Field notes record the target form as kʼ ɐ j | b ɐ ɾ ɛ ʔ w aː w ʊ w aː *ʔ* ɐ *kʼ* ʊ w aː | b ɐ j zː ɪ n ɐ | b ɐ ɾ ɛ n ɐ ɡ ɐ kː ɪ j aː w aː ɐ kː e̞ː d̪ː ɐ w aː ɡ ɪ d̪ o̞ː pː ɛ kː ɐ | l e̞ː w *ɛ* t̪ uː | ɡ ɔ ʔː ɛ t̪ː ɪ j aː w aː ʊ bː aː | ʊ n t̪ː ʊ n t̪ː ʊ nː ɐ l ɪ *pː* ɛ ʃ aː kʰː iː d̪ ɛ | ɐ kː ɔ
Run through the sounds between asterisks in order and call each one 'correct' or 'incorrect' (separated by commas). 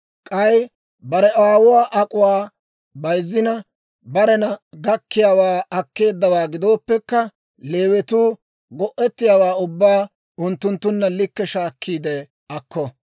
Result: correct, correct, correct, incorrect